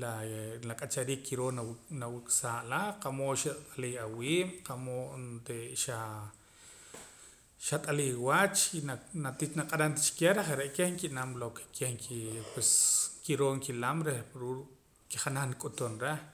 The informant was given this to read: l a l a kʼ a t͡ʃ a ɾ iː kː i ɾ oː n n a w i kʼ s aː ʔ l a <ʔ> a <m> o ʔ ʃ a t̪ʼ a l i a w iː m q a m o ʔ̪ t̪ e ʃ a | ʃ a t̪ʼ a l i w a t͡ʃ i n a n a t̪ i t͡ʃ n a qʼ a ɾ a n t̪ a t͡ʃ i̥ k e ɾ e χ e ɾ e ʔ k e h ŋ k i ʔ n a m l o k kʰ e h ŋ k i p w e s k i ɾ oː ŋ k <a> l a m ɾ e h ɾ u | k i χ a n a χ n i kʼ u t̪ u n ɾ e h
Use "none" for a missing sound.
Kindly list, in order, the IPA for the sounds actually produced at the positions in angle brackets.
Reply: q, m, i

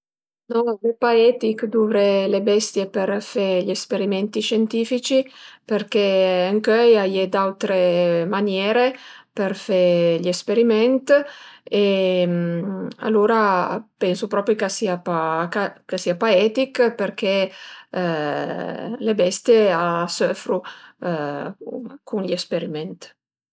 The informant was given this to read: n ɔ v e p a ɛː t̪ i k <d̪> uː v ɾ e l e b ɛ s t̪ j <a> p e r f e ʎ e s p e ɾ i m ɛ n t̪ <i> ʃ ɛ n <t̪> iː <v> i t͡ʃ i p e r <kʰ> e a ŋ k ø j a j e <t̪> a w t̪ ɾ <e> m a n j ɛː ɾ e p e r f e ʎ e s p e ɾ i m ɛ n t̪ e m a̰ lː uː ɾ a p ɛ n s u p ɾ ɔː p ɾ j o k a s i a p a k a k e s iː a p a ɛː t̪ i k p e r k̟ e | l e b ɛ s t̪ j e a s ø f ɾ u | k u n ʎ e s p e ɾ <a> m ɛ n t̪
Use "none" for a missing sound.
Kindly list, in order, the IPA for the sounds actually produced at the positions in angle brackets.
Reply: d̪, e, i, t̪, f, k, d̪, e, i

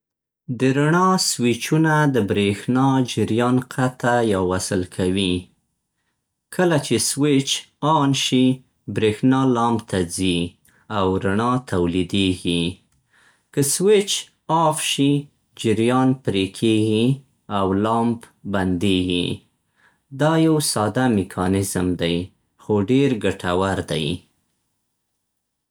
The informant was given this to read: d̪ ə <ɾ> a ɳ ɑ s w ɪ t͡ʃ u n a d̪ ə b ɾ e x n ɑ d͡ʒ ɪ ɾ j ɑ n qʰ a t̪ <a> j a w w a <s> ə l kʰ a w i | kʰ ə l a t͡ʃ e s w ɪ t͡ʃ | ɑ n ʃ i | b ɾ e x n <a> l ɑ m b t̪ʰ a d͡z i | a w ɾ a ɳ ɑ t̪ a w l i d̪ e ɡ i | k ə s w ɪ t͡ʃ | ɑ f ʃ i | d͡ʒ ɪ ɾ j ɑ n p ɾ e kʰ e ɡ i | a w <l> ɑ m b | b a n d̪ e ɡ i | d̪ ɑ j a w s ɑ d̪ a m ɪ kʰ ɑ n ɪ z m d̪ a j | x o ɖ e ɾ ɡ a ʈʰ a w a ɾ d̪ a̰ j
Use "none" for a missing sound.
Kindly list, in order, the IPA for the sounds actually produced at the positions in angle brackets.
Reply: ɾ, a, s, ɑ, l

